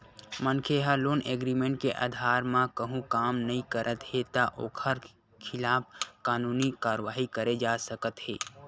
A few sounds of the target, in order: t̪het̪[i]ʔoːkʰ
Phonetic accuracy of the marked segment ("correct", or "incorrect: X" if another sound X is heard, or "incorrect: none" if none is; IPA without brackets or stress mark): incorrect: a